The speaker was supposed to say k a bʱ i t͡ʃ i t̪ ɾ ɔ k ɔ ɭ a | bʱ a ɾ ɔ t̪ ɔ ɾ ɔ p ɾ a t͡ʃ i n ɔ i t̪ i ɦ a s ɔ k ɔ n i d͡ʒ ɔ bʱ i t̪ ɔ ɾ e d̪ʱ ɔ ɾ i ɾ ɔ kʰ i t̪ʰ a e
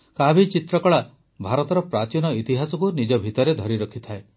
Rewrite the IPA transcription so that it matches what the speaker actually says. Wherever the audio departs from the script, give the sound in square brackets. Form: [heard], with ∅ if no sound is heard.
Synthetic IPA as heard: k a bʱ i t͡ʃ i t̪ ɾ ɔ k ɔ ɭ a | bʱ a ɾ ɔ t̪ ɔ ɾ ɔ p ɾ a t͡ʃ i n ɔ i t̪ i ɦ a s ɔ k [u] n i d͡ʒ ɔ bʱ i t̪ ɔ ɾ e d̪ʱ ɔ ɾ i ɾ ɔ kʰ i t̪ʰ a e